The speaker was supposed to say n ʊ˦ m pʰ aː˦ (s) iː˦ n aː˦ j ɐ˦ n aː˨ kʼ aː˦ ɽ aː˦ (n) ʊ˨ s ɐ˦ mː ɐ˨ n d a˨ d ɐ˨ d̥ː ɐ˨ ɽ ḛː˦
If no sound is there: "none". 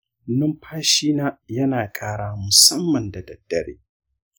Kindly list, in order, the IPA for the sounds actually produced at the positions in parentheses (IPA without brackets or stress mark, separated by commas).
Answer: ʃ, m